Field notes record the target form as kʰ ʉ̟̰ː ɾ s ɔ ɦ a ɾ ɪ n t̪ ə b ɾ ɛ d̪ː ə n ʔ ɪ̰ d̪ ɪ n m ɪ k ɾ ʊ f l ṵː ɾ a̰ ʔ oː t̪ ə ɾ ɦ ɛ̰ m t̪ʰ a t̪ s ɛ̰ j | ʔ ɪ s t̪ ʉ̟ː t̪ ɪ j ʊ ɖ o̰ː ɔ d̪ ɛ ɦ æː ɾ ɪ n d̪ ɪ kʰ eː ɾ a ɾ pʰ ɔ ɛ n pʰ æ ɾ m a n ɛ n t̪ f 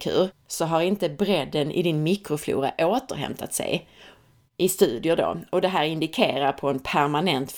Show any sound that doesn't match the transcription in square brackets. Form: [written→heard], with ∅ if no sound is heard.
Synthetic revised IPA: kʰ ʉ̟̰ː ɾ s ɔ ɦ a ɾ ɪ n t̪ ə b ɾ ɛ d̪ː ə n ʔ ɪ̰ d̪ ɪ n m ɪ k ɾ ʊ f l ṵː ɾ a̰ ʔ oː t̪ ə ɾ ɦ ɛ̰ m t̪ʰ a t̪ s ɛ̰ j | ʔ ɪ s t̪ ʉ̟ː [t̪→d̪] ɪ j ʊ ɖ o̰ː ɔ d̪ ɛ ɦ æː ɾ ɪ n d̪ ɪ kʰ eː ɾ a ɾ pʰ ɔ ɛ n pʰ æ ɾ m a n ɛ n t̪ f